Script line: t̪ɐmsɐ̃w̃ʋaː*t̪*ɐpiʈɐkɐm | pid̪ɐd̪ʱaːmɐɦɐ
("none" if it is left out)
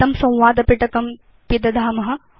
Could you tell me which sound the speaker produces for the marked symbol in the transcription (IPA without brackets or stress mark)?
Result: d̪